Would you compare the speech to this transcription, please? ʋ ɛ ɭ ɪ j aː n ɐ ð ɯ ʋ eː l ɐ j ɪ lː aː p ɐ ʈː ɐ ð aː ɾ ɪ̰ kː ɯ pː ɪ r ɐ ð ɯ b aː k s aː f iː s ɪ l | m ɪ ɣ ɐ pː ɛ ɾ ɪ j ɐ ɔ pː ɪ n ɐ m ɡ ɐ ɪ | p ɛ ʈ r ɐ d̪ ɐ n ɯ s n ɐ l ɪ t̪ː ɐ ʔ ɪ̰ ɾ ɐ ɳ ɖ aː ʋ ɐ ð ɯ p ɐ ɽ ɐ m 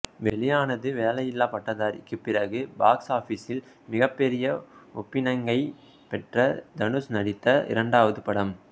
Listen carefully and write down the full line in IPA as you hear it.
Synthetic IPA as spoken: ʋ ɛ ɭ ɪ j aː n ɐ ð ɯ ʋ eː l ɐ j ɪ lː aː p ɐ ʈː ɐ ð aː ɾ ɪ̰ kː ɯ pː ɪ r ɐ ɣ ɯ b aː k s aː f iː s ɪ l | m ɪ ɣ ɐ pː ɛ ɾ ɪ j ɐ ɔ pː ɪ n ɐ ŋ ɡ ɐ ɪ | p ɛ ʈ r ɐ d̪ ɐ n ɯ s n ɐ ɽ ɪ t̪ː ɐ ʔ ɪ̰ ɾ ɐ ɳ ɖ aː ʋ ɐ ð ɯ p ɐ ɽ ɐ m

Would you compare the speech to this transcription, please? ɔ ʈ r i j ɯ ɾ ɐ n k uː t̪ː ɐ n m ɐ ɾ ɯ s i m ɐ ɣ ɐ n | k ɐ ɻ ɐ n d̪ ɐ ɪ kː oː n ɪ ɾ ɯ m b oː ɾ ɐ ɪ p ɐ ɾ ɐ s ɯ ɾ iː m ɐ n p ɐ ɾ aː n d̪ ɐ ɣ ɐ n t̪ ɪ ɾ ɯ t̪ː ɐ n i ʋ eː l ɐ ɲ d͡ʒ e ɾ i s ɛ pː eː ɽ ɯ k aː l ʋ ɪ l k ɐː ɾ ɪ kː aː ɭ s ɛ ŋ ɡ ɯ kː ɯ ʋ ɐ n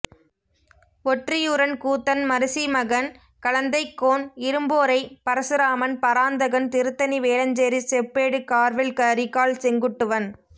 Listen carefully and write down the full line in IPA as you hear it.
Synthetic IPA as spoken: ɔ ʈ r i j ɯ ɾ ɐ n k uː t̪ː ɐ n m ɐ ɾ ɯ s i m ɐ ɣ ɐ n | k ɐ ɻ ɐ n d̪ ɐ ɪ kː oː n ɪ ɾ ɯ m b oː ɾ ɐ ɪ p ɐ ɾ ɐ s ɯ ɾ aː m ɐ n p ɐ ɾ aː n d̪ ɐ ɣ ɐ n t̪ ɪ ɾ ɯ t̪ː ɐ n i ʋ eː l ɐ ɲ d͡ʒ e ɾ i s ɛ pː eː ɽ ɯ k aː ɾ ʋ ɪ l k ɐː ɾ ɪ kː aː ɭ s ɛ ŋ ɡ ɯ ʈː ɯ ʋ ɐ n

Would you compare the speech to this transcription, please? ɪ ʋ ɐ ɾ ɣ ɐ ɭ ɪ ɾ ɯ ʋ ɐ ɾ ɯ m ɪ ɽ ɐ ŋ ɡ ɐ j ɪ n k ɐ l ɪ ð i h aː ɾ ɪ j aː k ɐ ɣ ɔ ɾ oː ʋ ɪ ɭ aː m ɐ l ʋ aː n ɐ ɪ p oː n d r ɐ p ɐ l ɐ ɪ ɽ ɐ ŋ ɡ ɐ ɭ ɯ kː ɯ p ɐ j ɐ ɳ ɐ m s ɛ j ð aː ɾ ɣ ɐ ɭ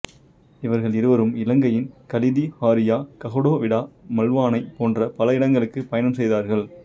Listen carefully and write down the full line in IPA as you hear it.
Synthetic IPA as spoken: ɪ ʋ ɐ ɾ ɣ ɐ ɭ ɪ ɾ ɯ ʋ ɐ ɾ ɯ m ɪ l ɐ ŋ ɡ ɐ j ɪ n k ɐ l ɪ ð i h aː ɾ ɪ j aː k ɐ ɣ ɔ ɽ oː ʋ ɪ ɽ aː m ɐ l ʋ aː n ɐ ɪ p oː n d r ɐ p ɐ l ɐ ɪ ɽ ɐ ŋ ɡ ɐ ɭ ɯ kː ɯ p ɐ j ɐ n ɐ m s ɛ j ð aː ɾ ɣ ɐ ɭ

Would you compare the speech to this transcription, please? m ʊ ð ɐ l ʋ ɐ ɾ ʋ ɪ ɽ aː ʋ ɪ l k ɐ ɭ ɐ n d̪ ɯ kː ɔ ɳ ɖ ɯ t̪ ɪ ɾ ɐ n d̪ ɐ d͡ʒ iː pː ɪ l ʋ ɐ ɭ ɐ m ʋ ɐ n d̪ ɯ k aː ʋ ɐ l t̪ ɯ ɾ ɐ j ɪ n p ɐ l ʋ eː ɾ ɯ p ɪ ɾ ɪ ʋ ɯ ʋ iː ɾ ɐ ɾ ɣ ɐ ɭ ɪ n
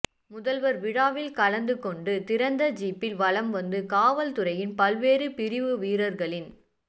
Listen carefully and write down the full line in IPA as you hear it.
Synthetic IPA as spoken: m ʊ ð ɐ l ʋ ɐ ɾ ʋ ɪ ɽ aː ʋ ɪ l k ɐ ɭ ɐ n d̪ ɯ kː ɔ ɳ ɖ ɯ t̪ ɪ ɾ ɐ n d̪ ɐ d͡ʒ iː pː ɪ l ʋ ɐ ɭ ɐ m ʋ ɐ n d̪ ɯ k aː ʋ ɐ l t̪ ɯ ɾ ɐ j ɪ n p ɐ l ʋ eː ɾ ɯ p ɪ ɾ ɪ ʋ ɯ ʋ iː ɾ ɐ ɾ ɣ ɐ ɭ ɪ n

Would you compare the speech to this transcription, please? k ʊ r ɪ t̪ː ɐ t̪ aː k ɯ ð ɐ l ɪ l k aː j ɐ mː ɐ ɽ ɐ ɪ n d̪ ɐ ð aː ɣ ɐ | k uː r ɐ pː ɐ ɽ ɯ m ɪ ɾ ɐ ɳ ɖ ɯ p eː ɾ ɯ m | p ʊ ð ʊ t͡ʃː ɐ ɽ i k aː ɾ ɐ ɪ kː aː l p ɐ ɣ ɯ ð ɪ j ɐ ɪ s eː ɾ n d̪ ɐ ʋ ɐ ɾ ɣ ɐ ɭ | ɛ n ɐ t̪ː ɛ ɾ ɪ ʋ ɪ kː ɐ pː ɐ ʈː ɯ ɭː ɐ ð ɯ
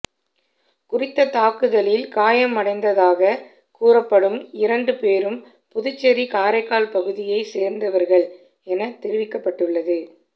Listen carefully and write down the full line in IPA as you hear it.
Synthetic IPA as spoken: k ʊ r ɪ t̪ː ɐ t̪ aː k ɯ ð ɐ l ɪ l k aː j ɐ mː ɐ ɽ ɐ ɪ n d̪ ɐ ð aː ɣ ɐ | k uː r ɐ pː ɐ ɽ ɯ m ɪ ɾ ɐ ɳ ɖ ɯ p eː ɾ ɯ m | p ʊ ð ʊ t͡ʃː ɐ ɾ i k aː ɾ ɐ ɪ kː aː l p ɐ ɣ ɯ ð ɪ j ɐ ɪ s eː ɾ n d̪ ɐ ʋ ɐ ɾ ɣ ɐ ɭ | ɛ n ɐ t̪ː ɛ ɾ ɪ ʋ ɪ kː ɐ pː ɐ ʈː ɯ ɭː ɐ ð ɯ

